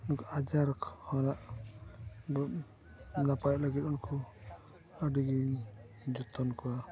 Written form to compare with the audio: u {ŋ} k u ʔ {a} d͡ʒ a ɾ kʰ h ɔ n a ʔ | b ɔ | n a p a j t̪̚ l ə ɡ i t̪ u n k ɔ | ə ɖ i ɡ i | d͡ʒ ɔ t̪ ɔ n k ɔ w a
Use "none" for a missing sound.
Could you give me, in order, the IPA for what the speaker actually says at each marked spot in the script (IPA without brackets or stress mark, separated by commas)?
n, a